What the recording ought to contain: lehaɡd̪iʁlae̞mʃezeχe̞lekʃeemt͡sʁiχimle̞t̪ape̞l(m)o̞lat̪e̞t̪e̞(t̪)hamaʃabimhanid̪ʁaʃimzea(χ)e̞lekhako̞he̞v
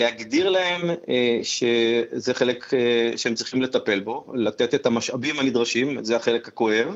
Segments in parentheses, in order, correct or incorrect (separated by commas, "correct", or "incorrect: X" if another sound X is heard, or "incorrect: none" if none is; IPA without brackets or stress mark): incorrect: b, correct, correct